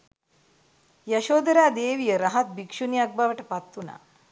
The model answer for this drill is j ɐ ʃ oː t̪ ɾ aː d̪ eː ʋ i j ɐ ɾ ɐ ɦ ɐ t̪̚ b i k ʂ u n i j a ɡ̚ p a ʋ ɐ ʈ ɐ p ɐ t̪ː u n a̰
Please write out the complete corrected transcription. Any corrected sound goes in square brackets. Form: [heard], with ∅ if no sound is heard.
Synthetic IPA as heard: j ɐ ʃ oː [d̪] ɾ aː d̪ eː ʋ i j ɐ ɾ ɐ ɦ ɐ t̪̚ b i k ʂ u n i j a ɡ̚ [b] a ʋ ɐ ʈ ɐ p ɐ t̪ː u n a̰